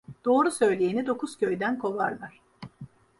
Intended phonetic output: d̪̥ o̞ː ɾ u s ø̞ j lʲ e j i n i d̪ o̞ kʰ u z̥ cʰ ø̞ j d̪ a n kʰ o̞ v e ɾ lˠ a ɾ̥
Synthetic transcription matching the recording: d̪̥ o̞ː ɾ u s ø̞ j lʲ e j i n i d̪ o̞ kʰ u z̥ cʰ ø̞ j d̪ æ n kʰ o̞ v a ɾ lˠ a ɾ̥

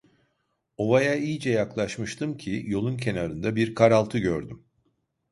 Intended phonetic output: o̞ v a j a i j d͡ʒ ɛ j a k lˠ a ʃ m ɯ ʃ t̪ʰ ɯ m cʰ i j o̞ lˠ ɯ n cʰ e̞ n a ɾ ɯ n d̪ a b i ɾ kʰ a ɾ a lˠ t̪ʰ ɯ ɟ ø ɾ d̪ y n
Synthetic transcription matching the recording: o̞ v a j a i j d͡ʒ ɛ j a k lˠ a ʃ m ɯ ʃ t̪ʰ ɯ m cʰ i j o̞ lˠ u n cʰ e̞ n a ɾ ɯ n d̪ a b i ɾ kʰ a ɾ a lˠ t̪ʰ ɯ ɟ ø ɾ d̪ y m

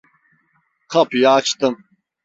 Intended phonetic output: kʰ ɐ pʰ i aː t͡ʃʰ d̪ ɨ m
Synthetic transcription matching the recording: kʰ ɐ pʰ j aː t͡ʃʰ t̪ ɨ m

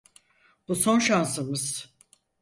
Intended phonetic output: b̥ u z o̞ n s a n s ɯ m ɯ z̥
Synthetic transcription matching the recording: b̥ u s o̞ n ʃ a n s ɯ m ɯ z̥

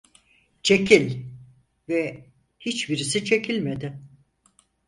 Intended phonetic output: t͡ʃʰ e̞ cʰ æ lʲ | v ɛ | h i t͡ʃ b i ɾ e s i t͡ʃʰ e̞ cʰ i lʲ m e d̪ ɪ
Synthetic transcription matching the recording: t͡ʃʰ e̞ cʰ i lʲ | v ɛ | h i t͡ʃ b i ɾ i s i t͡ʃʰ e̞ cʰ i lʲ m e d̪ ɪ

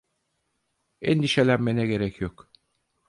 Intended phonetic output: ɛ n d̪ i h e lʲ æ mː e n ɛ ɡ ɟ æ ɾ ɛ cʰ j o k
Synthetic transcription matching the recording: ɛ n d̪ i ʃ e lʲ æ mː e n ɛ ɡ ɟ e ɾ ɛ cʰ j o k

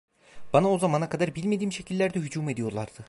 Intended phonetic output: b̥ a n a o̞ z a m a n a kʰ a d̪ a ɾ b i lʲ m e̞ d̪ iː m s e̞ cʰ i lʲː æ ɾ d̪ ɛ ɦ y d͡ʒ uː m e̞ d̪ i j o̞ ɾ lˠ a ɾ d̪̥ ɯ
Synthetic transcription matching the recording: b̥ a n a o̞ z a m a n a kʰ a d̪ a ɾ b i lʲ m e̞ d̪ iː m ʃ e̞ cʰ i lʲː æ ɾ d̪ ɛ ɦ y d͡ʒ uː m e̞ d̪ i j o̞ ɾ lˠ a ɾ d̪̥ ɯ

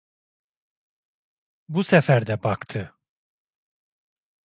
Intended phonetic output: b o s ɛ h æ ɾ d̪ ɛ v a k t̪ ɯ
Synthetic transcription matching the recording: b u s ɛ f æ ɾ d̪ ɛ b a k t̪ʰ ɯ

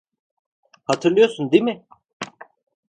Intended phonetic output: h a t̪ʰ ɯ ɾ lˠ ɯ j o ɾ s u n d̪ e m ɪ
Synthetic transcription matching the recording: h a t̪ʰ ɯ ɾ lˠ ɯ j o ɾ s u n d̪ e m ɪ

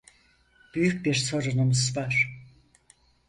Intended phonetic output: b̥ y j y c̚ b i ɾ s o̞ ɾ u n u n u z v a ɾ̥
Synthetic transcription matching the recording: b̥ y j y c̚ b i ɾ s o̞ ɾ u n u m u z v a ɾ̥

